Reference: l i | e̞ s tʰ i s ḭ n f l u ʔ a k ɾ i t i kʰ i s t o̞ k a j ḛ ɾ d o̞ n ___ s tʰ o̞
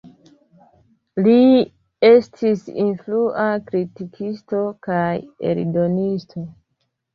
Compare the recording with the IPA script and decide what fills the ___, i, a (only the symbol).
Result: i